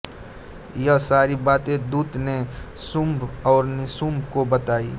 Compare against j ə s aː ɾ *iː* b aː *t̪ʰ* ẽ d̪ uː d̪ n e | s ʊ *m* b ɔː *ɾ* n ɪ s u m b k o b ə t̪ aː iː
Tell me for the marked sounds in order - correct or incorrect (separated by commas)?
incorrect, incorrect, correct, correct